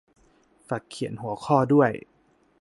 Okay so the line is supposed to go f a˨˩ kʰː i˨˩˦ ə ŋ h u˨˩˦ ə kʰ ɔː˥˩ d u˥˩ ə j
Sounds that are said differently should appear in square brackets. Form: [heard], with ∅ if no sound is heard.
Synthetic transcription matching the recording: f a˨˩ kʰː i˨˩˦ ə [n] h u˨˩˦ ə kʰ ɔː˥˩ d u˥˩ ə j